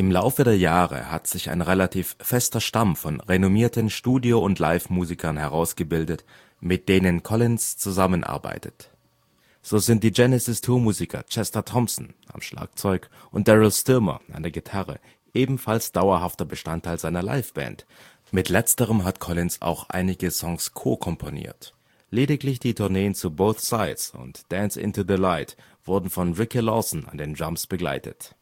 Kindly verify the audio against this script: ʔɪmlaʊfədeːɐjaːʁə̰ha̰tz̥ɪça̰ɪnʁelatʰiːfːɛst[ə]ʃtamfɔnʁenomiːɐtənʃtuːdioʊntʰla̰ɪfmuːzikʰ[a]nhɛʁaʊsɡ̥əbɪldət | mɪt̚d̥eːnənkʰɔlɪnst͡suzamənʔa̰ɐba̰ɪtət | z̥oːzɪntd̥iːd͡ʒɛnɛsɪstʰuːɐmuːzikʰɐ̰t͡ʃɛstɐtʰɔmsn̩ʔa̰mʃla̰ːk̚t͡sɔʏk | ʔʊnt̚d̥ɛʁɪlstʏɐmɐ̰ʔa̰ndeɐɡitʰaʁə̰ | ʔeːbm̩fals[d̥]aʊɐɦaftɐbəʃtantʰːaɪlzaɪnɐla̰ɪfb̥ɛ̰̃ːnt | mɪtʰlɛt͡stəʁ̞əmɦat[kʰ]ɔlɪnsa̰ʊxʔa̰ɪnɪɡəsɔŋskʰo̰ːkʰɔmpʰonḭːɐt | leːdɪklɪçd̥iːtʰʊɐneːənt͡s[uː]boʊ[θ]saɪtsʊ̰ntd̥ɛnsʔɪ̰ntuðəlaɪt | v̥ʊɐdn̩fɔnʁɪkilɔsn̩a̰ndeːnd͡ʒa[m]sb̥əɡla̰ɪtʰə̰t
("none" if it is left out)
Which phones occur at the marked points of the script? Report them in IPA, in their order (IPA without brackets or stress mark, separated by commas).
ɐ, ɐ, d̥, kʰ, u, θ, m